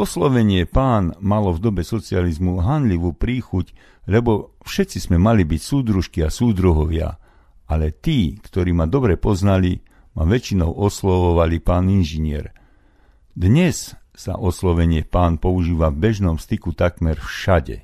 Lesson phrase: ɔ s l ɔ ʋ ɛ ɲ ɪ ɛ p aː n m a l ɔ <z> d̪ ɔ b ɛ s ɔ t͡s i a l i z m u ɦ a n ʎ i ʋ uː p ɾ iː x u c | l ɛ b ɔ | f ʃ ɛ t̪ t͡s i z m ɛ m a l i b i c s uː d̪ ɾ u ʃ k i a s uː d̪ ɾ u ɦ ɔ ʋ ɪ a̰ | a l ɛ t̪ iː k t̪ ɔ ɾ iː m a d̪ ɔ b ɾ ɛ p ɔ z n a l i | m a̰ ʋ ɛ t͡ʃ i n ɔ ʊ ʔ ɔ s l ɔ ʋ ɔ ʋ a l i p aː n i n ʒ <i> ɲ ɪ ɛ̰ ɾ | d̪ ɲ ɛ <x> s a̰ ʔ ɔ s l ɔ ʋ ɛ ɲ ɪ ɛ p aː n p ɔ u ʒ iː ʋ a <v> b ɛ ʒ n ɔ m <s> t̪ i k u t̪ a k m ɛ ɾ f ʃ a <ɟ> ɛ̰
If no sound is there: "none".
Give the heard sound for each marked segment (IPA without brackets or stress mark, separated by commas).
v, i, s, v, s, ɟ